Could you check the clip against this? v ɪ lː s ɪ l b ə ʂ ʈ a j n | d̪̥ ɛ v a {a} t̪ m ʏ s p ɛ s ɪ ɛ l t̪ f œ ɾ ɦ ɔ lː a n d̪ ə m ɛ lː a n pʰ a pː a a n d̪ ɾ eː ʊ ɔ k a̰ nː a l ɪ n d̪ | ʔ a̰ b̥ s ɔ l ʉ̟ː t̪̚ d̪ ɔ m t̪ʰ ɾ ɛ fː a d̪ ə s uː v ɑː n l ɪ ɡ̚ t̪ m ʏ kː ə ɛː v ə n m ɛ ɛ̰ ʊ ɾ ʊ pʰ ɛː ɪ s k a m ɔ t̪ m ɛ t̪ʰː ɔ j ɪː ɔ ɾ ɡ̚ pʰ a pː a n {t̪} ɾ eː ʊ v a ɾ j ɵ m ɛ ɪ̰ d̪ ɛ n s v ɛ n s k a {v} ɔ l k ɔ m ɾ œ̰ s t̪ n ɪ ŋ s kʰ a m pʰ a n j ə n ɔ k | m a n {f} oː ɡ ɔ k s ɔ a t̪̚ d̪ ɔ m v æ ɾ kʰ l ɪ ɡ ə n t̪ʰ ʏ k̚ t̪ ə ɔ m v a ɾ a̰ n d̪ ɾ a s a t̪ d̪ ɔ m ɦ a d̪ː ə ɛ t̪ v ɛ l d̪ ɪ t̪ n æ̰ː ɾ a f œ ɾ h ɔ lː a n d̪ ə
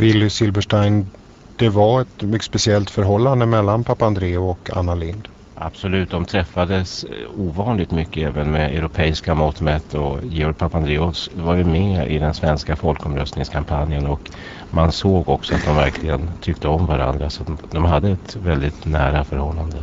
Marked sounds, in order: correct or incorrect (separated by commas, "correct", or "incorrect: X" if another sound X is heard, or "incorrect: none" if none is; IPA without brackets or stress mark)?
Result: incorrect: ɛ, incorrect: d̪, incorrect: f, incorrect: s